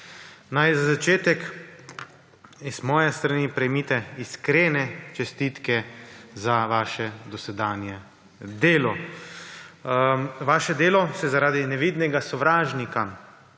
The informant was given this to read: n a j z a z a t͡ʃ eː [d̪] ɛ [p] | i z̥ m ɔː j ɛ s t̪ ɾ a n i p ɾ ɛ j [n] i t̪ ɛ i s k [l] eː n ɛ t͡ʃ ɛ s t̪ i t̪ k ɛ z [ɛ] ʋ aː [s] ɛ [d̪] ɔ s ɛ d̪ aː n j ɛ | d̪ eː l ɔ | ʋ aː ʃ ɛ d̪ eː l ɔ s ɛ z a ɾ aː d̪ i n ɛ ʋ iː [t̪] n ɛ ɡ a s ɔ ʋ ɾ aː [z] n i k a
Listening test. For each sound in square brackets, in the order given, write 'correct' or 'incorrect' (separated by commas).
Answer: incorrect, incorrect, incorrect, incorrect, incorrect, incorrect, correct, incorrect, incorrect